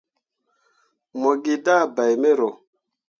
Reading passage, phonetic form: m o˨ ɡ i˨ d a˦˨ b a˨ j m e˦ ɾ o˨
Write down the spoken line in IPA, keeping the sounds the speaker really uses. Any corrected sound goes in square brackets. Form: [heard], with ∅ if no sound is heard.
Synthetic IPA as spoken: m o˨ ɡ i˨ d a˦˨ b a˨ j m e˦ ɾ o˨